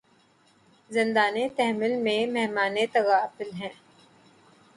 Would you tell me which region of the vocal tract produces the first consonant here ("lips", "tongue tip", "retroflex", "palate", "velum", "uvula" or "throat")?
tongue tip